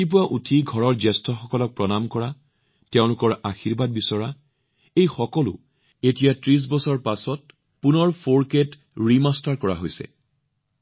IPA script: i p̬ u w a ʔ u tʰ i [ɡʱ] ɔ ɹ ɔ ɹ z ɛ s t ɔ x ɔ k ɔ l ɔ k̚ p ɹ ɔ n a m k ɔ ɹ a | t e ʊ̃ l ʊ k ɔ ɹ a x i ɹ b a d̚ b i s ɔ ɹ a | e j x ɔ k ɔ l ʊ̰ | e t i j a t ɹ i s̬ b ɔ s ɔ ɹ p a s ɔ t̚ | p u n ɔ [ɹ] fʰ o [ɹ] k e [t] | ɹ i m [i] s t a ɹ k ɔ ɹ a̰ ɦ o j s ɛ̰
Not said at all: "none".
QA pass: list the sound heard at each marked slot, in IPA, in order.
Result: ɡʱ, ɹ, ɹ, t, a

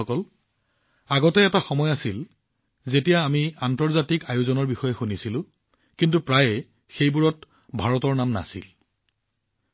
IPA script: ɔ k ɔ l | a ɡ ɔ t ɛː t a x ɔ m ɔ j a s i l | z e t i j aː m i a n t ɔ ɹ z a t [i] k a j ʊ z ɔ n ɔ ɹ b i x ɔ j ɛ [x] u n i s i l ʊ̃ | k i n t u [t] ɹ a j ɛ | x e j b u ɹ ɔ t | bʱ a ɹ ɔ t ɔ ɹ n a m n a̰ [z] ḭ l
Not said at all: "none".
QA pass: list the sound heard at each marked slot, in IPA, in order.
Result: i, x, p, s

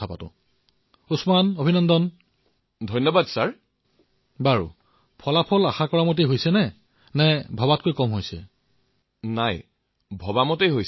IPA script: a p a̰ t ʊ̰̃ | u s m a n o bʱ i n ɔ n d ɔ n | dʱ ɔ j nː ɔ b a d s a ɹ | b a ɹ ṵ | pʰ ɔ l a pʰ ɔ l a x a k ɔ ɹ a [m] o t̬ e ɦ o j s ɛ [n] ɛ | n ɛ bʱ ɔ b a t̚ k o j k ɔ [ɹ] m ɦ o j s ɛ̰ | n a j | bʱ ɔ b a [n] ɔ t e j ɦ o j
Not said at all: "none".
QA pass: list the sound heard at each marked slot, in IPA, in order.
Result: m, n, none, m

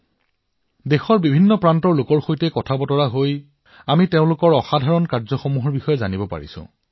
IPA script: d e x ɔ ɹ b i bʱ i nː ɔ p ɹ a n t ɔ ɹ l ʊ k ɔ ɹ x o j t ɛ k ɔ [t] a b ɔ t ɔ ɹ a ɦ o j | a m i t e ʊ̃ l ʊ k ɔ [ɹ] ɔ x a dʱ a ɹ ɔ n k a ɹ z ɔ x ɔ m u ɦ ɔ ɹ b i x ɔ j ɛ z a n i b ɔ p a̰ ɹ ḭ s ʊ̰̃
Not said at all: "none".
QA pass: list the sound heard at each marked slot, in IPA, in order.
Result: tʰ, ɹ

